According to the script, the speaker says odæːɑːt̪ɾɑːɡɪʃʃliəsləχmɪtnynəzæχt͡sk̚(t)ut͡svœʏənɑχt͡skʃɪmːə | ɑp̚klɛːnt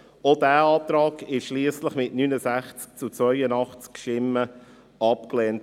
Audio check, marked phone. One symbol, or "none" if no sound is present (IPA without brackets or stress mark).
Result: t͡s